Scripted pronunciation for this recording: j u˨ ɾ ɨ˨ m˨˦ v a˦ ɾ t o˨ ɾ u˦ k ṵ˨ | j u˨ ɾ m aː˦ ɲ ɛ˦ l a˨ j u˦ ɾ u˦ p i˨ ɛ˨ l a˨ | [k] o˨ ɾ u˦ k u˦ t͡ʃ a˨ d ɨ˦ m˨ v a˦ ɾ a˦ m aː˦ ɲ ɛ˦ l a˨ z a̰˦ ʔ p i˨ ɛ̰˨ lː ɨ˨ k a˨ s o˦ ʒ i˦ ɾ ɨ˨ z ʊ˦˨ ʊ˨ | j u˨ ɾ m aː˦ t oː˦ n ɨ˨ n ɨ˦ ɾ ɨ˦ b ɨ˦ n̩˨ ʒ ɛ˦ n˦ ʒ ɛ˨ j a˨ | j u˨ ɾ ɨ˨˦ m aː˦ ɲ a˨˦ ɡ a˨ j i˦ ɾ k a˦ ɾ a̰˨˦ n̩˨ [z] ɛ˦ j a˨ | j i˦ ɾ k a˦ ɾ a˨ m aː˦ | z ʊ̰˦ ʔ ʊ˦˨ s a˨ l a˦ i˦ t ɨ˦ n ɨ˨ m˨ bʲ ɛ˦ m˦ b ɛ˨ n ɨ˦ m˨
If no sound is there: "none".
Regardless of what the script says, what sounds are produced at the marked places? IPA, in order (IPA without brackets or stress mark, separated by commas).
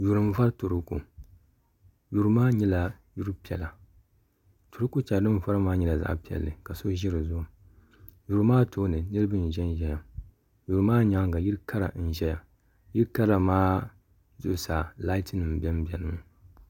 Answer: t, ʒ